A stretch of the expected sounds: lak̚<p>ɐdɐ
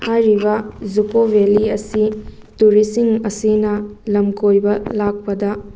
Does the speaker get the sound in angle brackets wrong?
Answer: no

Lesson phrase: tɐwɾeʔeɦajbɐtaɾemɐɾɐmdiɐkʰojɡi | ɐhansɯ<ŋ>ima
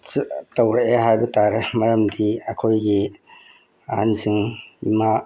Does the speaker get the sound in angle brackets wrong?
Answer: no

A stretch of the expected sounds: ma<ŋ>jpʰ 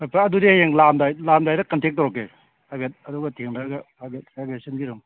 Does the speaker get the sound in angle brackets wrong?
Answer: yes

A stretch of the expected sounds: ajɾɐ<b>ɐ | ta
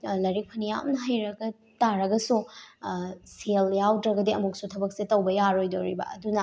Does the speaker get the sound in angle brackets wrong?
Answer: yes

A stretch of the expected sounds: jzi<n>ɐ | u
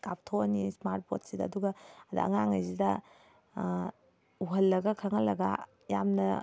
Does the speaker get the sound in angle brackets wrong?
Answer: yes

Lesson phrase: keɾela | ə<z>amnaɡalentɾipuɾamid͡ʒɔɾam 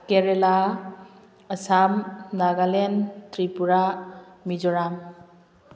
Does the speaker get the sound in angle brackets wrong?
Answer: yes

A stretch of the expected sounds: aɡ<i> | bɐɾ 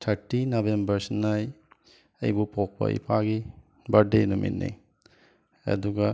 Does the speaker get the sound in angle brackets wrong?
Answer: no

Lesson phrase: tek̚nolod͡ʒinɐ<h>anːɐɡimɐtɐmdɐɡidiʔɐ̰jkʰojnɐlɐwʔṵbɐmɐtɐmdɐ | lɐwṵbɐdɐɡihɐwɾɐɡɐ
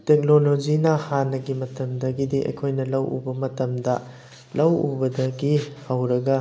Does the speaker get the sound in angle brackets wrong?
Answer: no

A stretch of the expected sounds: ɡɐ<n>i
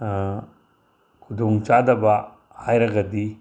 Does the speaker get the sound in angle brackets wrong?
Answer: yes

